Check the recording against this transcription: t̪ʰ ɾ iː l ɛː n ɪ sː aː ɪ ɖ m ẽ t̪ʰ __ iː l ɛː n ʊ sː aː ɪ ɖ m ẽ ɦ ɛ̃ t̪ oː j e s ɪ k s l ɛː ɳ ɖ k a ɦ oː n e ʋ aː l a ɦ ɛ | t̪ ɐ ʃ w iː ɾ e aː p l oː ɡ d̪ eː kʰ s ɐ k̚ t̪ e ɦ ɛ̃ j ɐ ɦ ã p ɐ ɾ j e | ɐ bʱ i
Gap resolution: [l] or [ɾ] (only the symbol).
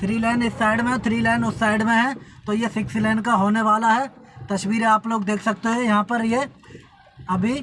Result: ɾ